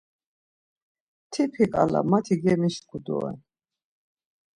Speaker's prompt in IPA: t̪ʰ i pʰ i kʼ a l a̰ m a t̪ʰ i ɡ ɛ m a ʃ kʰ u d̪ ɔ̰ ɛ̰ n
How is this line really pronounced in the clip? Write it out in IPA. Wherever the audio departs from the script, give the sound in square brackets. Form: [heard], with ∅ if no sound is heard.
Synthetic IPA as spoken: t̪ʰ i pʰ i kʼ a l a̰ m a t̪ʰ i ɡ ɛ m [i] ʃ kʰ u d̪ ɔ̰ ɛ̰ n